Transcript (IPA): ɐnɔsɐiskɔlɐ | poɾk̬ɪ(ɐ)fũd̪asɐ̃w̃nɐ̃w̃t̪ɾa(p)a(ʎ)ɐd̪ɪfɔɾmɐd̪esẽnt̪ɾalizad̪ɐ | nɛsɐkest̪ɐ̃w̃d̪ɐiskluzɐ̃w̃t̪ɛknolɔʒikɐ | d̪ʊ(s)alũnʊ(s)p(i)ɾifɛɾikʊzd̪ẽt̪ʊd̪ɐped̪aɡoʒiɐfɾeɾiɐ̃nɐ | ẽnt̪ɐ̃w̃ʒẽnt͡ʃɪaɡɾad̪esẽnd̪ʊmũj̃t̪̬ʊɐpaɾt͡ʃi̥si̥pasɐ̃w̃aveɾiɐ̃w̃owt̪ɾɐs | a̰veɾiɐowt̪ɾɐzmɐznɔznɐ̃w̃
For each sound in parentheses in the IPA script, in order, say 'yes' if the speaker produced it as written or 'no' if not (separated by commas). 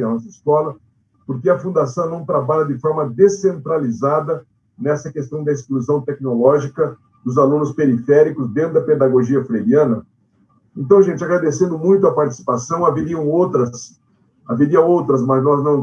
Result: yes, no, yes, no, yes, no